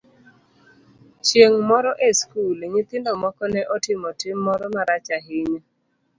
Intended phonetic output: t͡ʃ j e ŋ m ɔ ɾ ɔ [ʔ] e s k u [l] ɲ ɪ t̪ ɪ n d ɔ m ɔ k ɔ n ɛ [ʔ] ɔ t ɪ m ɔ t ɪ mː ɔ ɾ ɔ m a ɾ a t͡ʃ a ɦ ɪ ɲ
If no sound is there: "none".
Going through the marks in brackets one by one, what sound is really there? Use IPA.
ʔ, l, ʔ

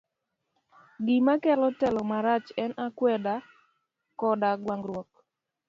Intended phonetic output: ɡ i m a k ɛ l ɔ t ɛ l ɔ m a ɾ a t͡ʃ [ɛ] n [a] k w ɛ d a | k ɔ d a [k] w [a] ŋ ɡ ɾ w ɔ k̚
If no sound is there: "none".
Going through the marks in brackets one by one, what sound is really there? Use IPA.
ɛ, a, ɡ, a

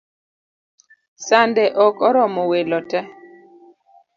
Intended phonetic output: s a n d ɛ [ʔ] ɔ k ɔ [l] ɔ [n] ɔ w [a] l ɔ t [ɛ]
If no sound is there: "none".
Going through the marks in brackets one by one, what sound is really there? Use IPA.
ʔ, ɾ, m, e, ɛ

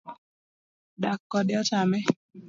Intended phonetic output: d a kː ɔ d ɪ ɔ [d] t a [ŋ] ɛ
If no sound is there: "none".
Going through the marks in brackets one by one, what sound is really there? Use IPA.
none, m

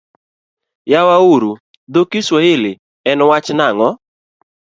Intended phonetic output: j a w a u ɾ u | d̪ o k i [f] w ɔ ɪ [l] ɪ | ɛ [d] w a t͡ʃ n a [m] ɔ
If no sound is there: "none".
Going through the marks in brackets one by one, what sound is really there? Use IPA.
s, l, n, ŋ

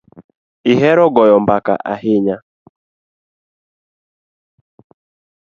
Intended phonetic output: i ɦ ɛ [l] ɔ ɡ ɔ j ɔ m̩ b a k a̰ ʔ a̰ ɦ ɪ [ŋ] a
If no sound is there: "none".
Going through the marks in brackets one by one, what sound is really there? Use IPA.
ɾ, ɲ

